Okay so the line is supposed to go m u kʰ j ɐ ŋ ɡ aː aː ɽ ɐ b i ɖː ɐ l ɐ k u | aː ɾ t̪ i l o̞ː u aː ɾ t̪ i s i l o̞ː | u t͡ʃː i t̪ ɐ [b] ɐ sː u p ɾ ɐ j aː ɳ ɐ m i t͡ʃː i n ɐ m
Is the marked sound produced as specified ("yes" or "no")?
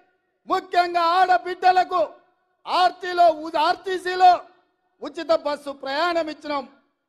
yes